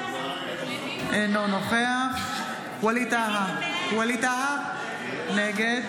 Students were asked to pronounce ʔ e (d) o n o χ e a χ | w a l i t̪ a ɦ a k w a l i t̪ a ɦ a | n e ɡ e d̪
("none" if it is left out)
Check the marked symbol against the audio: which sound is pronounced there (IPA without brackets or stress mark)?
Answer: n